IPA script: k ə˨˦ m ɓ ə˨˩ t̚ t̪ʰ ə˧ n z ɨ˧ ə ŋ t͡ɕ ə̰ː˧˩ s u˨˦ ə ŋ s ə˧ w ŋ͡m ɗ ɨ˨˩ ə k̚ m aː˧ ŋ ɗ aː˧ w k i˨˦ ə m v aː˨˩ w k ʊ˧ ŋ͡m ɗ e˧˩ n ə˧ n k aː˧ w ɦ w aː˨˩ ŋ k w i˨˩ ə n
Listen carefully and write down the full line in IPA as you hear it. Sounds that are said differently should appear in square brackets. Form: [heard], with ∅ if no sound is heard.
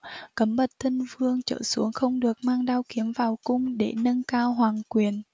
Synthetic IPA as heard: k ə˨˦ m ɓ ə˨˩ t̚ t̪ʰ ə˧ n [v] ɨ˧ ə ŋ t͡ɕ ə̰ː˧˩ s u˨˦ ə ŋ [x] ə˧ w ŋ͡m ɗ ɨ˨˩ ə k̚ m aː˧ ŋ ɗ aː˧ w k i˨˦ ə m v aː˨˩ w k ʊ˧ ŋ͡m ɗ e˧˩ n ə˧ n k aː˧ w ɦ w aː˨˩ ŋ k w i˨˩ ə n